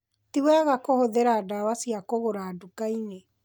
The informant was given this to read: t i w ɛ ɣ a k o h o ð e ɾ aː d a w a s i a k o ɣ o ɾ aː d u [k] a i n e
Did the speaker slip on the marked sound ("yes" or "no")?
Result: no